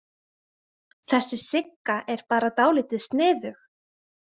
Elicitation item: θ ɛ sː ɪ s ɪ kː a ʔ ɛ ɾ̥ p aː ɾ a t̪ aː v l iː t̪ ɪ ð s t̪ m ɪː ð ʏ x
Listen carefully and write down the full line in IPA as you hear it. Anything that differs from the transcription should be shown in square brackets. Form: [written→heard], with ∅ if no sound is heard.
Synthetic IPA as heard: θ ɛ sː ɪ s ɪ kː a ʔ ɛ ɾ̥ p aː ɾ a t̪ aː [v→w] l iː t̪ ɪ ð s t̪ [m→n] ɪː ð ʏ x